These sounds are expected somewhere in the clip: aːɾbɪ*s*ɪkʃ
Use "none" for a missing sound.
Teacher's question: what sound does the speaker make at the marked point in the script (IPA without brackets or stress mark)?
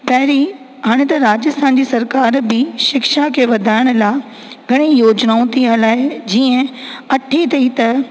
ʃ